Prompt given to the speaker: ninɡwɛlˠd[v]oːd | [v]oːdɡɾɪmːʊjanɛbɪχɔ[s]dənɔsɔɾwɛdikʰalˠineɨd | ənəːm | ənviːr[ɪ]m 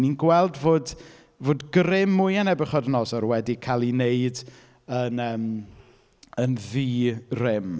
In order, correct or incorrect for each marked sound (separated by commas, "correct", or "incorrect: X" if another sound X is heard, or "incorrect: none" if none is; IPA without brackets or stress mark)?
correct, correct, incorrect: none, correct